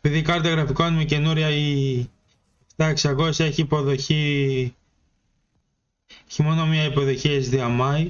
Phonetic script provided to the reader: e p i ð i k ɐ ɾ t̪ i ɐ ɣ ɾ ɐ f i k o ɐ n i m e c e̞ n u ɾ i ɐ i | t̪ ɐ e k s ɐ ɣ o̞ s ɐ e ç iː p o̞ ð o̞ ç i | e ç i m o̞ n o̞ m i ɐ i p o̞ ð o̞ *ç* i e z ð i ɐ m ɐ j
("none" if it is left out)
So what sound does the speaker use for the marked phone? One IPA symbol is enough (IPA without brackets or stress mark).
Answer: ç